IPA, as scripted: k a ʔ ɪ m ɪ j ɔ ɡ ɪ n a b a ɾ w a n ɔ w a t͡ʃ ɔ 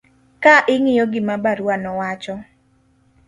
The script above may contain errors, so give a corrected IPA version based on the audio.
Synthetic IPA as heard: k a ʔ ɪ ŋ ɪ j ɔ ɡ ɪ m a b a ɾ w a n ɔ w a t͡ʃ ɔ